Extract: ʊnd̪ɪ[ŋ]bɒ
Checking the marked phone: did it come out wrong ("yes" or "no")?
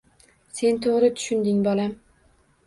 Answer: no